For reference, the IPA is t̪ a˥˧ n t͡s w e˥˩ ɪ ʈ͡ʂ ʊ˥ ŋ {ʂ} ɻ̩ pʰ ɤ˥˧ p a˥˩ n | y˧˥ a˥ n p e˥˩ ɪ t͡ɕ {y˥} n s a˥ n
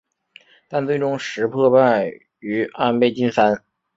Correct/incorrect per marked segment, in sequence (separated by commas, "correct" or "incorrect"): correct, incorrect